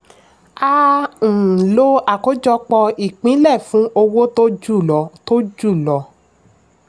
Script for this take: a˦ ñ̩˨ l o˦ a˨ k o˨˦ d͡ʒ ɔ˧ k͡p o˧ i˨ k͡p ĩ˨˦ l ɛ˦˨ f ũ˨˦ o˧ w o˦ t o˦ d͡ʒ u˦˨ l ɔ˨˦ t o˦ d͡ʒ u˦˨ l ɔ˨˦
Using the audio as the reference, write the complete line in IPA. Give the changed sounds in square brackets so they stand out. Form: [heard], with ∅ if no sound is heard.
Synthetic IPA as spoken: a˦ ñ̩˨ l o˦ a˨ k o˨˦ d͡ʒ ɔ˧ k͡p [ɔ˧] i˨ k͡p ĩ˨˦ l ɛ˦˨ f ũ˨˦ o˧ w o˦ t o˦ d͡ʒ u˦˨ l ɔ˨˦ t o˦ d͡ʒ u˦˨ l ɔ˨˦